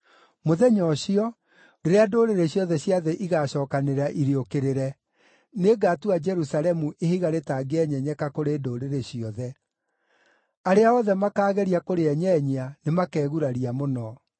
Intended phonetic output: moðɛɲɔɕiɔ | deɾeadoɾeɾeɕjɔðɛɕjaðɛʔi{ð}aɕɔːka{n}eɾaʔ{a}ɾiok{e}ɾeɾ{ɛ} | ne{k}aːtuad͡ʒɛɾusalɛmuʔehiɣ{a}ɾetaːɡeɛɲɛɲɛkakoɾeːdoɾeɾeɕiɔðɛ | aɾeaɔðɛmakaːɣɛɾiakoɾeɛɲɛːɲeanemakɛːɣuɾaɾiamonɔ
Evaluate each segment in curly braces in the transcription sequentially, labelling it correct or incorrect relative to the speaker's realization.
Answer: incorrect: ɣ, correct, incorrect: i, correct, correct, incorrect: ɡ, correct

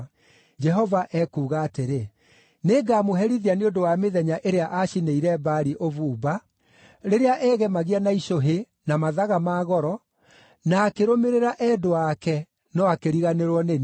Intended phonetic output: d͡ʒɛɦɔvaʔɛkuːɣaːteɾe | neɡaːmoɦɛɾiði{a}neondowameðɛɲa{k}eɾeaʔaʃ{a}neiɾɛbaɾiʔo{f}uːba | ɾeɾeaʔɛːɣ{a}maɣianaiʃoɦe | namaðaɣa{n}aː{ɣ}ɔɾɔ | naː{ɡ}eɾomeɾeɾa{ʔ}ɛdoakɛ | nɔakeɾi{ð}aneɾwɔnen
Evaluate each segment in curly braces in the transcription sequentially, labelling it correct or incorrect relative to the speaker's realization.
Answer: correct, incorrect: ʔ, incorrect: i, incorrect: v, incorrect: ɛ, incorrect: m, correct, incorrect: k, correct, incorrect: ɣ

